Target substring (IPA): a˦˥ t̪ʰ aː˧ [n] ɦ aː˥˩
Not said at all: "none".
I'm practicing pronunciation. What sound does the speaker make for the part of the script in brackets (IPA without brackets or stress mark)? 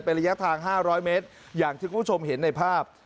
ŋ